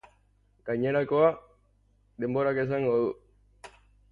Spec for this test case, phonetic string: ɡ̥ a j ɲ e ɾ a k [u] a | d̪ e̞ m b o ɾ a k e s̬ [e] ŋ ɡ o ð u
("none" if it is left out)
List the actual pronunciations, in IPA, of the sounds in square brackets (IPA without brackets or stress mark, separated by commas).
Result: o, a